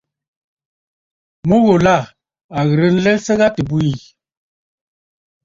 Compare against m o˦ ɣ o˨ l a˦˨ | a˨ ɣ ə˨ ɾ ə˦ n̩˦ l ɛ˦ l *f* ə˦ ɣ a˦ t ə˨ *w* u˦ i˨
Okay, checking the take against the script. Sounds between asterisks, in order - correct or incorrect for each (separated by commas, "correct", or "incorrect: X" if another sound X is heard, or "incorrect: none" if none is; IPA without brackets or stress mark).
incorrect: s, incorrect: b